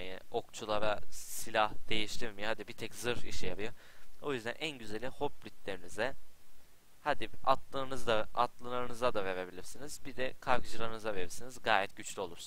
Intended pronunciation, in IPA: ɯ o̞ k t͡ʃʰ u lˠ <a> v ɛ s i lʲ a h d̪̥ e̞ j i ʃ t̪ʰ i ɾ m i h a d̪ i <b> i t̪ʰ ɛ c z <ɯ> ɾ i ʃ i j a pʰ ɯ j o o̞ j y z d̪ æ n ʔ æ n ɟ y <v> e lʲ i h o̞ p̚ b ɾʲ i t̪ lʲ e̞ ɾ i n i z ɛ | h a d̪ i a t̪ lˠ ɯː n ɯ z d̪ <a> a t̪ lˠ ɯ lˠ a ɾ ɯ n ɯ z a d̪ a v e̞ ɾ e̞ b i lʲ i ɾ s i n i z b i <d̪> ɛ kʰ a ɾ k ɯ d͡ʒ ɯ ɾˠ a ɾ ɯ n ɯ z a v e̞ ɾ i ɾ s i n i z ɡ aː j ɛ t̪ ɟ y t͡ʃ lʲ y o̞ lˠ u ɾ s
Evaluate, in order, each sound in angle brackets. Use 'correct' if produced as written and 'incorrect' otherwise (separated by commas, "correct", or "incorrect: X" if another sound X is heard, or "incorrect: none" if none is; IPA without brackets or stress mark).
correct, correct, correct, incorrect: z, correct, correct